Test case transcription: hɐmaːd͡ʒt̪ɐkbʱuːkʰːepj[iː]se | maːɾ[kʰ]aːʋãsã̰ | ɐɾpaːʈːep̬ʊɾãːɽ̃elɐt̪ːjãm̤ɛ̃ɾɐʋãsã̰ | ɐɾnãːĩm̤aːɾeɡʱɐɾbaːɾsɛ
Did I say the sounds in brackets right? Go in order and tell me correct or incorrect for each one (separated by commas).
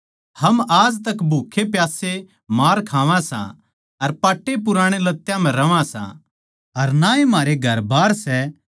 incorrect, correct